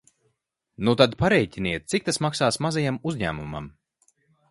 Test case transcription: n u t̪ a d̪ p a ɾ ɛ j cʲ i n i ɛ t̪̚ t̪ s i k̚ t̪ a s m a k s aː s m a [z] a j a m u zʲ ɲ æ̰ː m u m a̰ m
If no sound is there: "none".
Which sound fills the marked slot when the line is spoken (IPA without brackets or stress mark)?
z